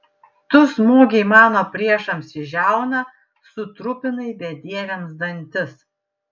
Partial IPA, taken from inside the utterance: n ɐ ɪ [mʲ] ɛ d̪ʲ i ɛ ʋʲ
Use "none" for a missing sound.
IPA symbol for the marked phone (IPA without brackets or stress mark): bʲ